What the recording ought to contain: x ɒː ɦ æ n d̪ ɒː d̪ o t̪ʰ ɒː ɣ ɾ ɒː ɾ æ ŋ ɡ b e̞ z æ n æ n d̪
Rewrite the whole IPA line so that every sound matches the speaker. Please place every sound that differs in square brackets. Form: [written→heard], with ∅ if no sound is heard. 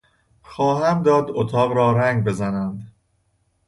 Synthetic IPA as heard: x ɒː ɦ æ [n→m] d̪ ɒː d̪ o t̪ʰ ɒː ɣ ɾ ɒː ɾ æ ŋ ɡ b e̞ z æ n æ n d̪

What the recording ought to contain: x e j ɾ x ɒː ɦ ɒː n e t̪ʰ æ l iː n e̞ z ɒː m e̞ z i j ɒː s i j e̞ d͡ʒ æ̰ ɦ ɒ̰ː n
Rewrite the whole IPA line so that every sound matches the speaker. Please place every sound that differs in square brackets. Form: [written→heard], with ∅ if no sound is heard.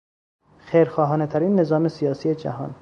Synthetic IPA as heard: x e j ɾ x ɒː ɦ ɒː n e t̪ʰ æ [l→ɾ] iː [n→nː] e̞ z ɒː m e̞ [z→s] i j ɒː s i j e̞ d͡ʒ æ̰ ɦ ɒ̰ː n

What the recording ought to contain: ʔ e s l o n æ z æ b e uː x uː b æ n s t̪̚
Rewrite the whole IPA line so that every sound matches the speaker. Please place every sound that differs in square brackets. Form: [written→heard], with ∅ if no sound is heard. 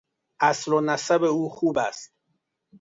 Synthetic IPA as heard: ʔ [e→æ] s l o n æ [z→s] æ b e uː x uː b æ [n→∅] s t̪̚

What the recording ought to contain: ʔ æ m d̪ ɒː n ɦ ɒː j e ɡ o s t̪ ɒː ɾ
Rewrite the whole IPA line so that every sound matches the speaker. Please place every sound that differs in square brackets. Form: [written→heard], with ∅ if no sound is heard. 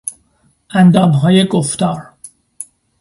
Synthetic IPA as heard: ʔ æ [m→n] d̪ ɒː [n→m] ɦ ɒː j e ɡ o [s→f] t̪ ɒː ɾ

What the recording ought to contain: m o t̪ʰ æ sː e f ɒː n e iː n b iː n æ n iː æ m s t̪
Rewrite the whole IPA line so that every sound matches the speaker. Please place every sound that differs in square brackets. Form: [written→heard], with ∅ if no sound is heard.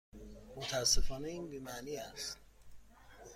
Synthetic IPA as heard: m o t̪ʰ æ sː e f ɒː n e iː n b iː [n→m] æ n iː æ [m→∅] s t̪

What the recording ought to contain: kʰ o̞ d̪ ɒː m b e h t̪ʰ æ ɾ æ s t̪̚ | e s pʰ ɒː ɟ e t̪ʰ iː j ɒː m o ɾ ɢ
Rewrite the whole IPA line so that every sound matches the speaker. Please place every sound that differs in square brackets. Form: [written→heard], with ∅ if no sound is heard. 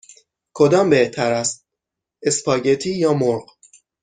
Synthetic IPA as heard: kʰ o̞ d̪ ɒː m b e h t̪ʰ æ ɾ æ s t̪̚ | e s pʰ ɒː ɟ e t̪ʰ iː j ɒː m o ɾ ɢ

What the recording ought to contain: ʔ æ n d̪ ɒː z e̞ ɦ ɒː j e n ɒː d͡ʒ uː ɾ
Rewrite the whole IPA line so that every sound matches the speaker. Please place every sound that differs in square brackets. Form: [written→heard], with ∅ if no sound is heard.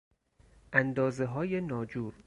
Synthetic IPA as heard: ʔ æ n d̪ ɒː z e̞ ɦ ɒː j e n ɒː d͡ʒ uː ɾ

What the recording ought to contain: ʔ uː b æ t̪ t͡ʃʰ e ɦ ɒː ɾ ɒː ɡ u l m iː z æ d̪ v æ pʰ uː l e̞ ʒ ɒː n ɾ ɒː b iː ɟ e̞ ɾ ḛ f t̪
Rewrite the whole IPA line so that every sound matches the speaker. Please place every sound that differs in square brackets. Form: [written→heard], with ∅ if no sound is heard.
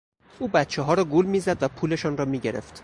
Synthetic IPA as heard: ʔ uː b æ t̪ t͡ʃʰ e ɦ ɒː ɾ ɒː ɡ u l m iː z æ d̪ v æ pʰ uː l e̞ [ʒ→ʃ] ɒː n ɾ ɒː [b→m] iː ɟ e̞ ɾ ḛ f t̪

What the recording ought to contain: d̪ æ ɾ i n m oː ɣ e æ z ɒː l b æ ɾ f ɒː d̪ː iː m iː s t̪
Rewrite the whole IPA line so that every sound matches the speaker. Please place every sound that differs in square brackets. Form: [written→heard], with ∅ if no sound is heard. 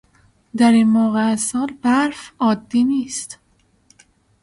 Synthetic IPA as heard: d̪ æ ɾ i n m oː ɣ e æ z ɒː l b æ ɾ f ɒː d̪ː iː [m→n] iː s t̪

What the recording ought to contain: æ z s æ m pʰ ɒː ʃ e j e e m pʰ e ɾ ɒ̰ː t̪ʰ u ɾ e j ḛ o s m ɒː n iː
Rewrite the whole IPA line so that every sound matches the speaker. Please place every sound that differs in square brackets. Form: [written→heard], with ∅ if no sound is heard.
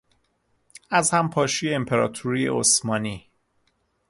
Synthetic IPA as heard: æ z [s→h] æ m pʰ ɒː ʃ [e→i] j e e m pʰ e ɾ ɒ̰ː t̪ʰ u ɾ [e→i] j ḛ o s m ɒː n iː

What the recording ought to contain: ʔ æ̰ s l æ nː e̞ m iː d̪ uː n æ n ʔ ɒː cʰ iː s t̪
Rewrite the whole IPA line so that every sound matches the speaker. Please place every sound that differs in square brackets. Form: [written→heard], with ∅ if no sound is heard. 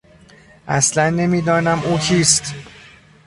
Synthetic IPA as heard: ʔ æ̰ s l æ nː e̞ m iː d̪ [uː→ɒː] n æ [n→m] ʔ [ɒː→uː] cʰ iː s t̪

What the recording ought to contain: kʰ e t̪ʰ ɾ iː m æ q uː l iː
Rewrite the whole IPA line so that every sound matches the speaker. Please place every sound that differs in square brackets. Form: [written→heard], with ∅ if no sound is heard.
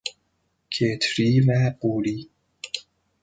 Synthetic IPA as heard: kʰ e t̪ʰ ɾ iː m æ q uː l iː

